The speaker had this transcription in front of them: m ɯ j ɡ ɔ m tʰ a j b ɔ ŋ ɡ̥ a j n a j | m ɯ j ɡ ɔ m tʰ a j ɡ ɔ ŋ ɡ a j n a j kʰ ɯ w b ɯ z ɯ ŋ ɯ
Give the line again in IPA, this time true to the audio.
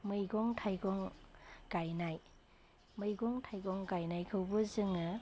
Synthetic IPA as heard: m ɯ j ɡ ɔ ŋ tʰ a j ɡ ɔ ŋ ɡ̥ a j n a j | m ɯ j ɡ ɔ ŋ tʰ a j ɡ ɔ ŋ ɡ a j n a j kʰ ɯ w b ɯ z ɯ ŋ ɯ